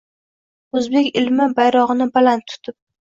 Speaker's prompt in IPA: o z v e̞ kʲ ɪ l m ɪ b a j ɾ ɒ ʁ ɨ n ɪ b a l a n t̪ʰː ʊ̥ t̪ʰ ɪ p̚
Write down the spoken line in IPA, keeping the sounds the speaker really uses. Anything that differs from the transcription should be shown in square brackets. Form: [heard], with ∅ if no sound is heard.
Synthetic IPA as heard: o z [b] e̞ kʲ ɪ l m ɪ b a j ɾ ɒ ʁ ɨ n ɪ b a l a n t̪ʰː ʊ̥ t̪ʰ ɪ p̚